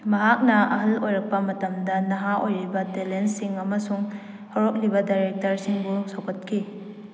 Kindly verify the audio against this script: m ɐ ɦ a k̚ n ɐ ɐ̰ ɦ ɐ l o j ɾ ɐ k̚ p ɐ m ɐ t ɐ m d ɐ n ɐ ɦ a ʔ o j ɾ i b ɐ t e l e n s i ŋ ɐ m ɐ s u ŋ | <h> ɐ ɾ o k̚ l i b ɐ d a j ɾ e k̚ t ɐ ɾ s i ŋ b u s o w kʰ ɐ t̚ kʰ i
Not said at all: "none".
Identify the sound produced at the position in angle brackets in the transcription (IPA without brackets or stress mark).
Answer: h